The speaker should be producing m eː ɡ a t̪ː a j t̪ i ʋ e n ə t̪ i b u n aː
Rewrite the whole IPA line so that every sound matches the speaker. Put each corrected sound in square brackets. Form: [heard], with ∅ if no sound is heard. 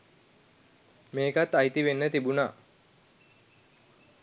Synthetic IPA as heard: m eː [k] a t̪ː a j t̪ i ʋ e [nː] ə t̪ i b u n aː